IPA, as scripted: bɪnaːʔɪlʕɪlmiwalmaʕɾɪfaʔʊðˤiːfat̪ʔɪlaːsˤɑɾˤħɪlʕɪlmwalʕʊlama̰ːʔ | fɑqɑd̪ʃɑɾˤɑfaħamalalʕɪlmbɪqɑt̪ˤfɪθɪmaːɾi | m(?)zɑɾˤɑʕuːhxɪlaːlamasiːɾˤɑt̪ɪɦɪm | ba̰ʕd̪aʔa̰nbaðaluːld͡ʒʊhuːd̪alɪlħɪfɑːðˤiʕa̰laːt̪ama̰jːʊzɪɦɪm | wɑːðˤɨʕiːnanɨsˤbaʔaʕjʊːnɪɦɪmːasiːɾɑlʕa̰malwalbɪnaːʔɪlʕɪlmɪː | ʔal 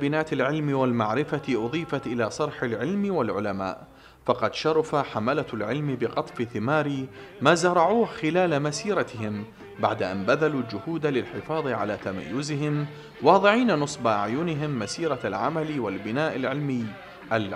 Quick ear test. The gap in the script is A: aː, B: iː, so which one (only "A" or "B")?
A